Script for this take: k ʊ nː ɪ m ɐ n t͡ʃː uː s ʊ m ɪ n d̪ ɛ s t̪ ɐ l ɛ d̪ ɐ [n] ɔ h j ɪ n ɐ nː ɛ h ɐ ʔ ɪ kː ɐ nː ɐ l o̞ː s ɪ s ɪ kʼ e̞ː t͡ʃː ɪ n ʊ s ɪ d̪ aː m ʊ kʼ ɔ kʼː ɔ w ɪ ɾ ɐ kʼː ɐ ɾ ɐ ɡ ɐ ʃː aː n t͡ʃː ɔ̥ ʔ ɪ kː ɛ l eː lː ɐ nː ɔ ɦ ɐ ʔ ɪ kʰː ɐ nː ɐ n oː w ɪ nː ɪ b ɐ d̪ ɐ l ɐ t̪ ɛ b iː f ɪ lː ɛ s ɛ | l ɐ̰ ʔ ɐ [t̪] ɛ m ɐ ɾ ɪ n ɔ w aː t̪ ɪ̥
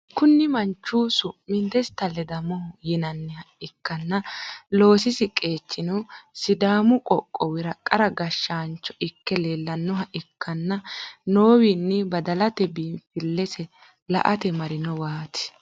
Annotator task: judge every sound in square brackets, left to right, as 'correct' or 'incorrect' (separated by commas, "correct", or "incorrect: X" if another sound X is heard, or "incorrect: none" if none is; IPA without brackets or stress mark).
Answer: incorrect: m, correct